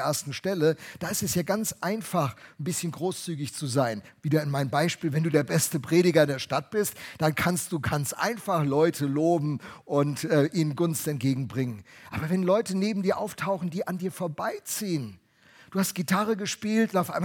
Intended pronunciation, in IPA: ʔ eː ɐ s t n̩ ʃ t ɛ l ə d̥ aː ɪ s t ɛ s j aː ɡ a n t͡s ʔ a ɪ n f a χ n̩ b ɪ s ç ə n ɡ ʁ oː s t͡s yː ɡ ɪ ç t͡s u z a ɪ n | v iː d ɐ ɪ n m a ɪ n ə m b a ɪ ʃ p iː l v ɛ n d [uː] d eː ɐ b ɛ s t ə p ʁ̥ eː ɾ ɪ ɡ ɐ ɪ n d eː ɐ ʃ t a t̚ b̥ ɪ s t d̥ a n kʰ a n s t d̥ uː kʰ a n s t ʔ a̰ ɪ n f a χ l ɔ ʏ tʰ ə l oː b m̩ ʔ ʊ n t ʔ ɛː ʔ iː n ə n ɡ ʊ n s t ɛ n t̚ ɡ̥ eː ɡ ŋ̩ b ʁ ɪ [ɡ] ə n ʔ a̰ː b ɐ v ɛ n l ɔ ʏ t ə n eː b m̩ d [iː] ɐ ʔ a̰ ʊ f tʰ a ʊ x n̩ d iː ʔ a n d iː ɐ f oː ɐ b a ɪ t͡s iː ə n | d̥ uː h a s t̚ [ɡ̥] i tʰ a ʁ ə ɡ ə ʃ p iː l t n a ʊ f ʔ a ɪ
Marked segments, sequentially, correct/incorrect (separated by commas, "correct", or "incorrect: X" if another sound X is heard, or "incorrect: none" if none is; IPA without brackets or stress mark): correct, incorrect: ŋ, correct, correct